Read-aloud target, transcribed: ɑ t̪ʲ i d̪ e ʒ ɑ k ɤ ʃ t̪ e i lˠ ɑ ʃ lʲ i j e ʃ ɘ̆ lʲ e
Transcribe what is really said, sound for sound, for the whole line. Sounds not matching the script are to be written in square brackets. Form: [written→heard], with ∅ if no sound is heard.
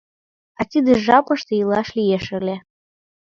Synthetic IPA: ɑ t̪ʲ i d̪ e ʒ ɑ [k→p] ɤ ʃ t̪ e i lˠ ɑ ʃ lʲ i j e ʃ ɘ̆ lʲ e